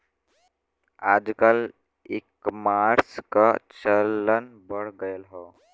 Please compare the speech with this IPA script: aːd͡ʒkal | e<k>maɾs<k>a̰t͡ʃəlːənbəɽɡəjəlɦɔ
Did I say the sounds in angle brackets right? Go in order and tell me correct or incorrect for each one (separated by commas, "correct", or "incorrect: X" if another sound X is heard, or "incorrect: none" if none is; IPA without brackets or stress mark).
correct, correct